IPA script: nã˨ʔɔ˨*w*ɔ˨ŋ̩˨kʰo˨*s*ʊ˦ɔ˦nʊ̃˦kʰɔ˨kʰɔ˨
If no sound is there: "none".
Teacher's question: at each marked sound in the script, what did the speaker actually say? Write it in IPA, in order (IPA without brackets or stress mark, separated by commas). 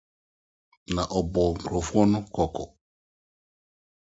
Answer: b, f